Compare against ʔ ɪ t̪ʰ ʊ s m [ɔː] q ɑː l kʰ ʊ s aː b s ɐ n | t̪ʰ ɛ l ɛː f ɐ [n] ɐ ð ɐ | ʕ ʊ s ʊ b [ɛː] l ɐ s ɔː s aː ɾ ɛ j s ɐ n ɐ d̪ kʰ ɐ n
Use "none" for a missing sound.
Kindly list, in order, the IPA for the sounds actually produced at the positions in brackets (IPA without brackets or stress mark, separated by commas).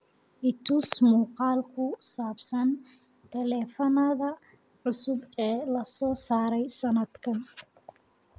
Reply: uː, n, ɛː